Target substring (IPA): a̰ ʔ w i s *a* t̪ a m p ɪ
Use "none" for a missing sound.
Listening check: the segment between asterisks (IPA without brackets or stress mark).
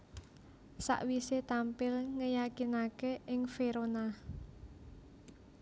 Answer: e